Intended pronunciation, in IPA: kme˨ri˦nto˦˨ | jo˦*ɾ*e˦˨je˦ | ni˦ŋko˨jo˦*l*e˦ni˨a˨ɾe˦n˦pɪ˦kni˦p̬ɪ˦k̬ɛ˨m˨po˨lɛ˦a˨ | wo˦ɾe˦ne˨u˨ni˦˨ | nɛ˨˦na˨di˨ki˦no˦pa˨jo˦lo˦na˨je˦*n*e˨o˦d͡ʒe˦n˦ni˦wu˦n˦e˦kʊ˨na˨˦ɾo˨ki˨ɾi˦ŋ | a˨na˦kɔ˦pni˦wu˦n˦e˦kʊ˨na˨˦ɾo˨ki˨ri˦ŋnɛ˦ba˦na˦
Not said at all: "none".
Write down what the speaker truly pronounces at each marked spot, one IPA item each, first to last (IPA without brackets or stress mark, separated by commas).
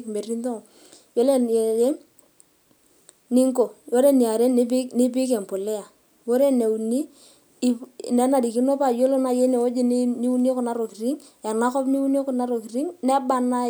l, ɾ, n